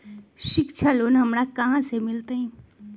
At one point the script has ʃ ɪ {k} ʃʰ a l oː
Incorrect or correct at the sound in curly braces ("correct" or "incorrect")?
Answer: correct